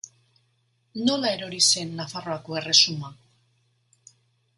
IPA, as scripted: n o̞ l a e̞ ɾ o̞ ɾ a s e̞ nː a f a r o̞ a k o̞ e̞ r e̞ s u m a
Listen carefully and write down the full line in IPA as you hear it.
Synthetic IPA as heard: n o̞ l a e̞ ɾ o̞ ɾ i s e̞ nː a f a r o̞ a k o̞ e̞ r e̞ s u m a

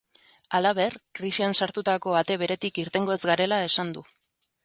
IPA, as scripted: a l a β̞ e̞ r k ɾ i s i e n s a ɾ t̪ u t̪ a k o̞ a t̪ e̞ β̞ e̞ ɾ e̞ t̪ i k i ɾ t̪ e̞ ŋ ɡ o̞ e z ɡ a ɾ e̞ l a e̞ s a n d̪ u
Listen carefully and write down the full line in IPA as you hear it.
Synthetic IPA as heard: a l a β̞ e̞ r k ɾ i s i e n s a ɾ t̪ u t̪ a k o̞ a t̪ e̞ β̞ e̞ ɾ e̞ t̪ i k i ɾ t̪ e̞ ŋ ɡ o̞ e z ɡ a ɾ e̞ l a e̞ s a n d̪ u

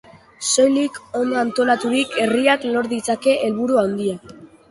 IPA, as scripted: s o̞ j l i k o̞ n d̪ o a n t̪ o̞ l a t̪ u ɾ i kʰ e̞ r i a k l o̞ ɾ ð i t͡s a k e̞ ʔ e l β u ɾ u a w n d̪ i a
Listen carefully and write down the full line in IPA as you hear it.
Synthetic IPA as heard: s o̞ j l i k o̞ n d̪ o a n t̪ o̞ l a t̪ u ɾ i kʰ e̞ r i a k l o̞ ɾ ð i t͡s a k e̞ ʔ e l β u ɾ u a w n d̪ i a

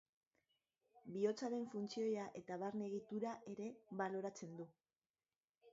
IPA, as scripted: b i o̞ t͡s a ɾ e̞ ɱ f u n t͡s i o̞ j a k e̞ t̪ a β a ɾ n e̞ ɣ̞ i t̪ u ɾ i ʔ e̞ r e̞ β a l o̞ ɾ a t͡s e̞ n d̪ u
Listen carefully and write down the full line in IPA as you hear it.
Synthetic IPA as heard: b i o̞ t͡s a ɾ e̞ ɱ f u n t͡s i o̞ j a ʔ e̞ t̪ a β a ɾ n e̞ ɣ̞ i t̪ u ɾ a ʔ e̞ ɾ e̞ β a l o̞ ɾ a t͡s e̞ n d̪ u

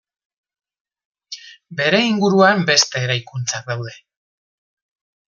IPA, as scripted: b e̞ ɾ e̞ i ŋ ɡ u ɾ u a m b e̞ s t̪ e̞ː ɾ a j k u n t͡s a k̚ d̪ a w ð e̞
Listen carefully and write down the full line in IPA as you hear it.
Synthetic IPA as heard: b e̞ ɾ e̞ i ŋ ɡ u ɾ u a m b e̞ s t̪ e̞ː ɾ a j k u n t͡s a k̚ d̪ a w ð e̞

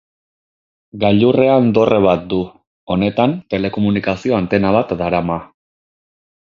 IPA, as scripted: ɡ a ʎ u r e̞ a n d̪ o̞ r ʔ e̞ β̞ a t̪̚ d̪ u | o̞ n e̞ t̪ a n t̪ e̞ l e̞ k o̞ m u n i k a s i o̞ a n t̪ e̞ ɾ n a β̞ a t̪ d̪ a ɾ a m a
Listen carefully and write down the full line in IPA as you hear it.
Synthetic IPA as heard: ɡ a ʎ u r e̞ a n d̪ o̞ r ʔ e̞ β̞ a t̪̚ d̪ u | o̞ n e̞ t̪ a n t̪ e̞ l e̞ k o̞ m u n i k a s i o̞ a n t̪ e̞ n a β̞ a t̪ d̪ a ɾ a m a

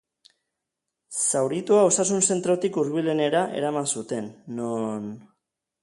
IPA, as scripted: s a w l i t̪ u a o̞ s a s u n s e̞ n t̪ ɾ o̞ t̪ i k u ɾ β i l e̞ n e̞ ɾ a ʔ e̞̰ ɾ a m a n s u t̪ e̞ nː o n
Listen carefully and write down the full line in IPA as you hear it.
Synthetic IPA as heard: s a w ɾ i t̪ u a o̞ s a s u n s e̞ n t̪ ɾ o̞ t̪ i k u ɾ β i l e̞ n e̞ ɾ a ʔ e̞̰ ɾ a m a n s u t̪ e̞ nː o n

